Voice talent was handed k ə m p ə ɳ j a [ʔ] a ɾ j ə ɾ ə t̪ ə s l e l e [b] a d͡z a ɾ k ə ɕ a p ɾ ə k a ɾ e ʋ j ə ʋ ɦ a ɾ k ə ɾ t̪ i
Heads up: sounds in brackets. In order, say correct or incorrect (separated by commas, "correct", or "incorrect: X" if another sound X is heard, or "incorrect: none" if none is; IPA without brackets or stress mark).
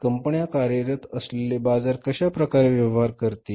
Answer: incorrect: k, correct